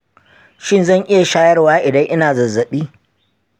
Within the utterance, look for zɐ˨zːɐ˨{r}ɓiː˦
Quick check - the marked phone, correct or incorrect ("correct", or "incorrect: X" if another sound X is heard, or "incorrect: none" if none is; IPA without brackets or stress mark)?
incorrect: none